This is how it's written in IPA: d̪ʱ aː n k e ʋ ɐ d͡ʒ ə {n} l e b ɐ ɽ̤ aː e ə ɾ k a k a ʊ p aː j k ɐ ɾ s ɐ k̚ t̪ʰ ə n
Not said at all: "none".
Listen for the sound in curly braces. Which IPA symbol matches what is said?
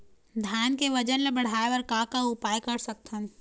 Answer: n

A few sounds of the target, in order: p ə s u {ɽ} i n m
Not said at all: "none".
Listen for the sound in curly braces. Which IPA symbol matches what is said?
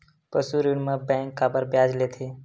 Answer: ɾ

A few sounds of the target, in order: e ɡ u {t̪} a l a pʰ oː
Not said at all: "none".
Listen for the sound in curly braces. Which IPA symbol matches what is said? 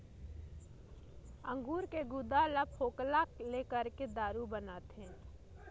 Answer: d̪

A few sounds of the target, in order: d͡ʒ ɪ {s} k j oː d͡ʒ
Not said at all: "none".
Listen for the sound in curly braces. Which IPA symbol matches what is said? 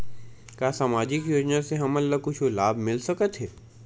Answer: none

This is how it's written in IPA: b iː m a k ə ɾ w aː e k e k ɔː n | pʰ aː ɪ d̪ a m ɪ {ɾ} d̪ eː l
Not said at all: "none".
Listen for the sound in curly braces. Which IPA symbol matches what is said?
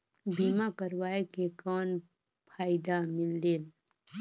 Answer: l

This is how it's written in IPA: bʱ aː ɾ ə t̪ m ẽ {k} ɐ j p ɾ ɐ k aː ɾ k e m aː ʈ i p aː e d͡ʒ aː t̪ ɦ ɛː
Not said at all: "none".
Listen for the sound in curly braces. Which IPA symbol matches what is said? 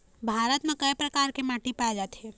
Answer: k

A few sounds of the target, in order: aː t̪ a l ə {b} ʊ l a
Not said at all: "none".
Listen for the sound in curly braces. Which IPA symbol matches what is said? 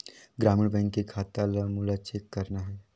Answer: m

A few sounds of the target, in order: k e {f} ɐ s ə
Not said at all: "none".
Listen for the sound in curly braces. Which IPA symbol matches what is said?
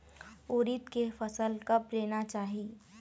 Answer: f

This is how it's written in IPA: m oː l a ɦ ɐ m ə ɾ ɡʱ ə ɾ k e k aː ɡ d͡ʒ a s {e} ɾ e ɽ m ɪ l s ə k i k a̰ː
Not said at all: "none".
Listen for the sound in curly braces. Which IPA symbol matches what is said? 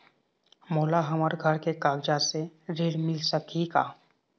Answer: e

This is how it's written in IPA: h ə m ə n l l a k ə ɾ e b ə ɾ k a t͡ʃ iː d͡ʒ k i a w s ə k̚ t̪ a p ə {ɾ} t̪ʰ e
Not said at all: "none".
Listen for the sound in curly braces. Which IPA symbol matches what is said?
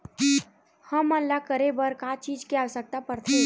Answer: ɾ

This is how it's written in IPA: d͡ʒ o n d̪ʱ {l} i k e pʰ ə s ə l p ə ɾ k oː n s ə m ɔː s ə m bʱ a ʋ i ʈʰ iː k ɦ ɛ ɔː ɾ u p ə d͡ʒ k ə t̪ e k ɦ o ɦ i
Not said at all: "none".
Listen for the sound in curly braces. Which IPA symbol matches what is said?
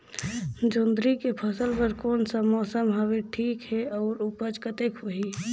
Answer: ɾ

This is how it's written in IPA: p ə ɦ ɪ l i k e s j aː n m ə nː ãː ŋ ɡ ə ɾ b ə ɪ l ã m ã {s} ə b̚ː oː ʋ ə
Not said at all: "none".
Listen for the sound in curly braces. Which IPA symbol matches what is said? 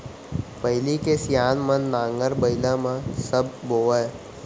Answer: s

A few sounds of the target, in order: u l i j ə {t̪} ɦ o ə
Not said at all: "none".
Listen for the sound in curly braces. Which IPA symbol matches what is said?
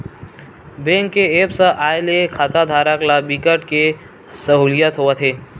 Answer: t̪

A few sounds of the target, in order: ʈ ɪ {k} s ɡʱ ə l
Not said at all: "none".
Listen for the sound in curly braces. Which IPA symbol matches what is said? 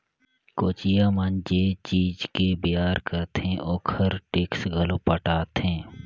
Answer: k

